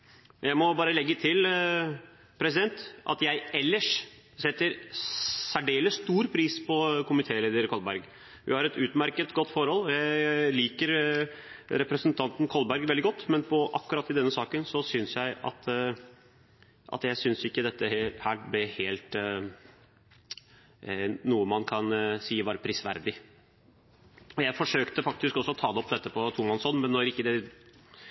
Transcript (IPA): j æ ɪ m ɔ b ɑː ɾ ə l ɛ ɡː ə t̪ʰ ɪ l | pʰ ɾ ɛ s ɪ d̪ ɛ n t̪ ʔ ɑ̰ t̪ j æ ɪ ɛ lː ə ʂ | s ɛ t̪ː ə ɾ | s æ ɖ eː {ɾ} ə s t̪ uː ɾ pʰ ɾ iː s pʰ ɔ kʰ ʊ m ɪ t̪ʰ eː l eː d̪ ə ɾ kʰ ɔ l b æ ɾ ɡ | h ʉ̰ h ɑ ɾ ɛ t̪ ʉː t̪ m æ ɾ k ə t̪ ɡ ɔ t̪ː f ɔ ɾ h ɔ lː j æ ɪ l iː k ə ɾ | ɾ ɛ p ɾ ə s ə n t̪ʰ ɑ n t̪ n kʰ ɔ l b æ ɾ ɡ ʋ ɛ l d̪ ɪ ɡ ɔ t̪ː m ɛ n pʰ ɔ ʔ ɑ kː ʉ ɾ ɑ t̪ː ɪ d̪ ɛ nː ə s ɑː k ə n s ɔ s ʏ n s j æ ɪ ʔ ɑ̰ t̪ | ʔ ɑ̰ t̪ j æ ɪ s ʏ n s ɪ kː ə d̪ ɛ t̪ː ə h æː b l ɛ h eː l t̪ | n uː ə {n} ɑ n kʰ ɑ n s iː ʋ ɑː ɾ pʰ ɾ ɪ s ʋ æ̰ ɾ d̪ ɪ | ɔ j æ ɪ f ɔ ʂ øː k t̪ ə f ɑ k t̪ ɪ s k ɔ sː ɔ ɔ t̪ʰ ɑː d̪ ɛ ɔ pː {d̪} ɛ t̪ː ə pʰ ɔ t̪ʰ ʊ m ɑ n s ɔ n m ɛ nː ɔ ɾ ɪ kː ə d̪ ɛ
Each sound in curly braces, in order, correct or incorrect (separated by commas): incorrect, incorrect, correct